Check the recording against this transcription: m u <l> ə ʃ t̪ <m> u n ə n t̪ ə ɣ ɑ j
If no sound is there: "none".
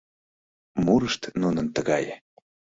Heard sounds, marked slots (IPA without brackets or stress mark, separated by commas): ɾ, n